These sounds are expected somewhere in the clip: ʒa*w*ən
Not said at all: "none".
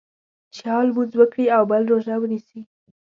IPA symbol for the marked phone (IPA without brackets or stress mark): w